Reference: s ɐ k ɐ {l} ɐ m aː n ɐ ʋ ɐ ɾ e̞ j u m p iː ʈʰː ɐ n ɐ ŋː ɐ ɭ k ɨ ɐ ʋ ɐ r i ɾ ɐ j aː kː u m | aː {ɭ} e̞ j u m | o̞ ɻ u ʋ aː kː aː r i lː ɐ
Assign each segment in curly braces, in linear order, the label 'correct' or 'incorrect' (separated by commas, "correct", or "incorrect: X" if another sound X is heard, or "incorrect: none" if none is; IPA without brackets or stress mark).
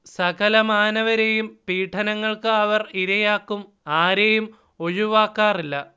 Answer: correct, incorrect: ɾ